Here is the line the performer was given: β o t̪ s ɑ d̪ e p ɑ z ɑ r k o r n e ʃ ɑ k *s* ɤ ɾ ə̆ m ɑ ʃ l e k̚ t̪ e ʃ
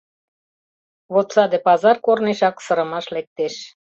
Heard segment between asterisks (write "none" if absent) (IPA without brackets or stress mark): s